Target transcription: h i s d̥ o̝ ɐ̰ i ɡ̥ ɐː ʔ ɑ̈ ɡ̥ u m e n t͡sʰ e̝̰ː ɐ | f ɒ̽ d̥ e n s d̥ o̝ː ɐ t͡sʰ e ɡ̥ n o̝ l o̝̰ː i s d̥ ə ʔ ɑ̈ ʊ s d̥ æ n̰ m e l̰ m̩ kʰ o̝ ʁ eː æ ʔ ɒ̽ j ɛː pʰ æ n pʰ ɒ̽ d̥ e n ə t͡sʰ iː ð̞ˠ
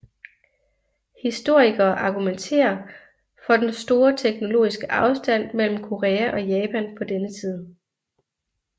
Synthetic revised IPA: h i s d̥ o̝ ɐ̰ i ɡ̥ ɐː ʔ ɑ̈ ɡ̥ u m e n t͡sʰ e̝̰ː ɐ | f ɒ̽ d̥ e n s d̥ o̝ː ɐ t͡sʰ e ɡ̥ n o̝ l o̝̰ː i s ɡ̥ ə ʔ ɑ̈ ʊ s d̥ æ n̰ m e l̰ m̩ kʰ o̝ ʁ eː æ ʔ ɒ̽ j ɛː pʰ æ n pʰ ɒ̽ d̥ e n ə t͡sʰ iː ð̞ˠ